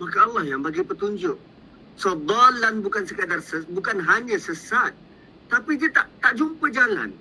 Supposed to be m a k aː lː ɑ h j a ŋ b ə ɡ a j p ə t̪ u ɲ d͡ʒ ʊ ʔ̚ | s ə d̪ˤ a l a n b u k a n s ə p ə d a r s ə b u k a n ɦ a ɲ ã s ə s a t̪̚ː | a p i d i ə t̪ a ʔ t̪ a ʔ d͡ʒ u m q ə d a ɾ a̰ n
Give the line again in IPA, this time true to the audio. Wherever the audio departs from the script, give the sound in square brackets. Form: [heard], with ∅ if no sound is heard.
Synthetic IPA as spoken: m a k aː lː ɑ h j a ŋ b [a] ɡ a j p ə t̪ u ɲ d͡ʒ ʊ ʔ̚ | s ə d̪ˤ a l a n b u k a n s ə [k] ə d a r s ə b u k a n ɦ a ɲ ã s ə s a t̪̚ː | a p i d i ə t̪ a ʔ t̪ a ʔ d͡ʒ u m [p] ə [d͡ʒ] a [l] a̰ n